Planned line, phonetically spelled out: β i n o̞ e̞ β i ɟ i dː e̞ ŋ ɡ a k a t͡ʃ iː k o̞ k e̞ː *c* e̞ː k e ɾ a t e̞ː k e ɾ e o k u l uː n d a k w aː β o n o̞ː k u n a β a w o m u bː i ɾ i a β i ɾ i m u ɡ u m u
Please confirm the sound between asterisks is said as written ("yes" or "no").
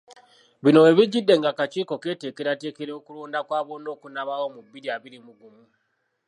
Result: no